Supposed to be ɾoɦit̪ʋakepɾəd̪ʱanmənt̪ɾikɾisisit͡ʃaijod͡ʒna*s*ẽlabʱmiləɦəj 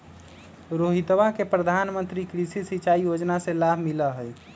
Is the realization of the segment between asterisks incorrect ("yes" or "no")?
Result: no